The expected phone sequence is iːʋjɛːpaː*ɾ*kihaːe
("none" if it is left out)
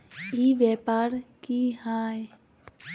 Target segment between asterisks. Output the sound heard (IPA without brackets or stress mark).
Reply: ɾ